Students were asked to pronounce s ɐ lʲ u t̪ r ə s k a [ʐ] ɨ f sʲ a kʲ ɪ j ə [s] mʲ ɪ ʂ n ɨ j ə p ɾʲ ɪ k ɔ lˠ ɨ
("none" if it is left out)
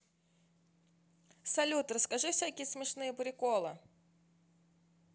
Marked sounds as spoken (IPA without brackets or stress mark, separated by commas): ʐ, s